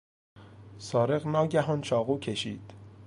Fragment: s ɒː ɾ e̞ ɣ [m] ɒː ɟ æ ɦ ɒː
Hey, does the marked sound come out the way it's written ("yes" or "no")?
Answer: no